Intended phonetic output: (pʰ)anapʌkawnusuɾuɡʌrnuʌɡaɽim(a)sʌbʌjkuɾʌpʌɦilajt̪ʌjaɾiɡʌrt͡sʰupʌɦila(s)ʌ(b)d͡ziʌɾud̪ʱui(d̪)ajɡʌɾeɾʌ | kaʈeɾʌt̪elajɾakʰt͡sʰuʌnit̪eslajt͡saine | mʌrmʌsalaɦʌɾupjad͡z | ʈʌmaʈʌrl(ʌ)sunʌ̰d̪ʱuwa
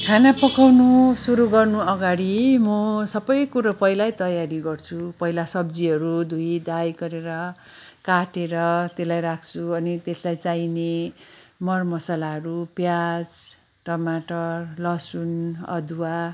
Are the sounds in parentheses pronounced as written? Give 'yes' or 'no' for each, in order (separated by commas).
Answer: no, no, yes, yes, yes, yes